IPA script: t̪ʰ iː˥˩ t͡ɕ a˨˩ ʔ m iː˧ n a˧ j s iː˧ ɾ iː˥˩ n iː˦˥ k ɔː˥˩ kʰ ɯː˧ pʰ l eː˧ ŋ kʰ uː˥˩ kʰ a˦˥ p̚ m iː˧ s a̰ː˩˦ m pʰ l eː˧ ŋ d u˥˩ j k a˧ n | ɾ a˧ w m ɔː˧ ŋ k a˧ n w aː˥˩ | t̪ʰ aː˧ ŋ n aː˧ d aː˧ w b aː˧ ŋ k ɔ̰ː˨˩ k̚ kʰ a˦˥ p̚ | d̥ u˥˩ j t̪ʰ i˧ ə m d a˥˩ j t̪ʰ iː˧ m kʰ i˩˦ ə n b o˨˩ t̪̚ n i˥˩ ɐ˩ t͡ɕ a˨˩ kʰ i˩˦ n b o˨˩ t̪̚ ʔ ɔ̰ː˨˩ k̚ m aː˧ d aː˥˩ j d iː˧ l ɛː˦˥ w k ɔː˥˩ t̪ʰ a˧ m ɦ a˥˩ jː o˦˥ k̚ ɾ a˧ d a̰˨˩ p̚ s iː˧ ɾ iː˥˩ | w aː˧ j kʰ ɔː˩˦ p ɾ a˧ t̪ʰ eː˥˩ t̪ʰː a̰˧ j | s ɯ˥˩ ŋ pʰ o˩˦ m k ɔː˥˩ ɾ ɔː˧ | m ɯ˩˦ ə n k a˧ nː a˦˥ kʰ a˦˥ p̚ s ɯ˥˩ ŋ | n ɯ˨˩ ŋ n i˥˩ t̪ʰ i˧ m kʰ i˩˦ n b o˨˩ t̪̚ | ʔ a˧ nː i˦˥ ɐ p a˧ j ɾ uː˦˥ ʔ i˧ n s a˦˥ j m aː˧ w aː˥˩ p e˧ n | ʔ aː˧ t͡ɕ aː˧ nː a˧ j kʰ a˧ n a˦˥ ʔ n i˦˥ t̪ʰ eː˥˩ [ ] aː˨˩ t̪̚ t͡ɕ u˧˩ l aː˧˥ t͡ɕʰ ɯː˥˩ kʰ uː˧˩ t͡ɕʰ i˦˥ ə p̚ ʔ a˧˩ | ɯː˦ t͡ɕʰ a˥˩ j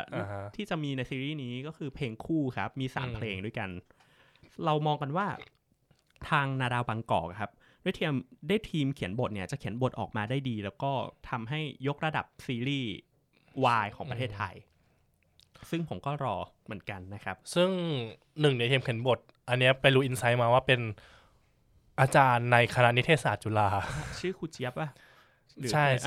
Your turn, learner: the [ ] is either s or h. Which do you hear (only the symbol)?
s